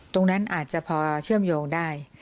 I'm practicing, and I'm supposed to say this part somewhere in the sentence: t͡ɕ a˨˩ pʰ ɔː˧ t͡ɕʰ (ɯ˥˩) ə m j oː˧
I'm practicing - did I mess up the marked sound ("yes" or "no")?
no